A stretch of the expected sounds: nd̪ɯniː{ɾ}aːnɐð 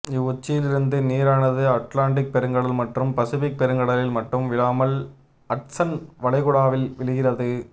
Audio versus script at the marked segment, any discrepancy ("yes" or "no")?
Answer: no